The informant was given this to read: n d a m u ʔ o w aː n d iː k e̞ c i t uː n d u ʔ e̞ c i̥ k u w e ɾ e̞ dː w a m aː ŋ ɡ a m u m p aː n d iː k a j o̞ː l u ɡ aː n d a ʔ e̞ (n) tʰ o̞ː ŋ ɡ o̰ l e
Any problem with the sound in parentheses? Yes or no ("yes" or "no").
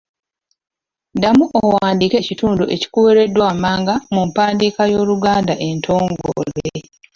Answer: no